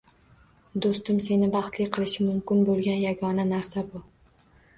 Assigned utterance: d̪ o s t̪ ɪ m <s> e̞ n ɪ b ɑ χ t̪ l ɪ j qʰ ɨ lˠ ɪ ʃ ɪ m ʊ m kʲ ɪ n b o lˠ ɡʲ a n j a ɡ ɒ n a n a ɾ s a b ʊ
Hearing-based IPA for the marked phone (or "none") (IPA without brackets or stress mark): s